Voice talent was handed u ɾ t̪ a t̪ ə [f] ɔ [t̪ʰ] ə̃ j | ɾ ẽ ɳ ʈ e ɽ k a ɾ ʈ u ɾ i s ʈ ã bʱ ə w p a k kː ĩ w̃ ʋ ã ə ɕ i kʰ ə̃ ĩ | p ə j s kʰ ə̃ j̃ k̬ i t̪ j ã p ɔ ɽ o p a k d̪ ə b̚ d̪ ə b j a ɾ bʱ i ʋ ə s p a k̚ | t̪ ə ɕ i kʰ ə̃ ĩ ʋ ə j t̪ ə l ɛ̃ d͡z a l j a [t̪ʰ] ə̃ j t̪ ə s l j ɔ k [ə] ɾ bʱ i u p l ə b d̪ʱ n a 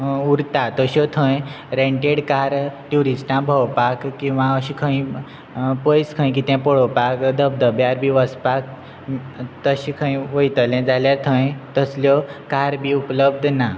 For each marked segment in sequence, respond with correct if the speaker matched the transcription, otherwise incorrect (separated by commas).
incorrect, correct, correct, incorrect